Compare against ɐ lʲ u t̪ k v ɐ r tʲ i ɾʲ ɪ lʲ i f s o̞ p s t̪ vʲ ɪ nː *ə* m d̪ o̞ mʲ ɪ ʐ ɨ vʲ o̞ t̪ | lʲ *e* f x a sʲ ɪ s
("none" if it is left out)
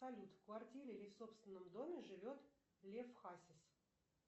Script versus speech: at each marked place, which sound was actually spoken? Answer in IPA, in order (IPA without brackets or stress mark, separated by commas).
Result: ə, e